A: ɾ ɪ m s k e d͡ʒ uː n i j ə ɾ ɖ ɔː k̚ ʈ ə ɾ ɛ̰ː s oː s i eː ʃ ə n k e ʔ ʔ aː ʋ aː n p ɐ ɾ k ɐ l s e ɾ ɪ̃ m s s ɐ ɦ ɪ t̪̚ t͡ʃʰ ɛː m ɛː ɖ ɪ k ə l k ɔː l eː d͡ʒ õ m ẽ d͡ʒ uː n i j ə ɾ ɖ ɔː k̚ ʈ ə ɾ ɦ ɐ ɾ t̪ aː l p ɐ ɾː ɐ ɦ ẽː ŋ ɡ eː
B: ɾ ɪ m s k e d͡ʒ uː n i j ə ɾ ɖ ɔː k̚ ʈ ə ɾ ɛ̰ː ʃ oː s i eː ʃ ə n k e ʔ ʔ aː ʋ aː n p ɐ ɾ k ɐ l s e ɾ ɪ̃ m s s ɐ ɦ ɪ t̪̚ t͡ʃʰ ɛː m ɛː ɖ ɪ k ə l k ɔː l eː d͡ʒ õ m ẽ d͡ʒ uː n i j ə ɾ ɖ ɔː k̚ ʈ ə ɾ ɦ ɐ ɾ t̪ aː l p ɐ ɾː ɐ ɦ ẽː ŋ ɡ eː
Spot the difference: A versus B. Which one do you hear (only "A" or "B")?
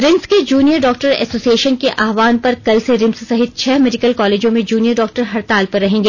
A